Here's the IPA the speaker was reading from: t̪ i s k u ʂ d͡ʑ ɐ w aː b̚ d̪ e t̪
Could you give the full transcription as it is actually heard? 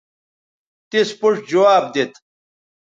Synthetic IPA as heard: t̪ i s p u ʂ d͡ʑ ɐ w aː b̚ d̪ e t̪